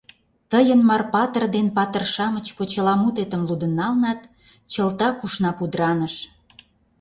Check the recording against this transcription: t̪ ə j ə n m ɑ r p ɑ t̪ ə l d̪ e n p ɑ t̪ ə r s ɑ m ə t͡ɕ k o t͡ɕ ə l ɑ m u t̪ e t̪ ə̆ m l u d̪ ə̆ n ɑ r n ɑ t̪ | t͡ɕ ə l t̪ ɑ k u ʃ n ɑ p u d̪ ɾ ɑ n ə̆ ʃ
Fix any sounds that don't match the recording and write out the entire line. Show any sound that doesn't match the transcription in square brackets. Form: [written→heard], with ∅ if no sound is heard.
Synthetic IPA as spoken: t̪ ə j ə n m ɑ r p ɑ t̪ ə [l→r] d̪ e n p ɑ t̪ ə r [s→ʃ] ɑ m ə t͡ɕ k o t͡ɕ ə l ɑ m u t̪ e t̪ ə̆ m l u d̪ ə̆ n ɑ [r→l] n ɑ t̪ | t͡ɕ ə l t̪ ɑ k u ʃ n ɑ p u d̪ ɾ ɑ n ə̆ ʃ